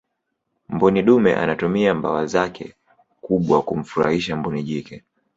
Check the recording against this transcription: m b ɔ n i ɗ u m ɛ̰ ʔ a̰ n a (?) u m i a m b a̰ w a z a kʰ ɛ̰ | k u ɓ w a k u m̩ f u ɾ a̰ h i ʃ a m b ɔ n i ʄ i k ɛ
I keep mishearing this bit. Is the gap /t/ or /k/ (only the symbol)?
t